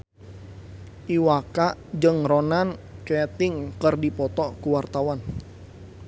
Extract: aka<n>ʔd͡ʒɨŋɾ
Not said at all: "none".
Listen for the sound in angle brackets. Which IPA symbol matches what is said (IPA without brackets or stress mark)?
none